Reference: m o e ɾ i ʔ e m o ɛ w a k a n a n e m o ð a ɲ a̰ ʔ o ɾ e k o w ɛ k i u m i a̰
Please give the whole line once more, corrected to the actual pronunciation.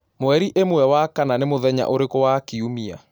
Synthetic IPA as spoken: m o ɛ ɾ i ʔ e m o ɛ w a k a n a n e m o ð ɛ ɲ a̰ ʔ o ɾ e k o w a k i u m i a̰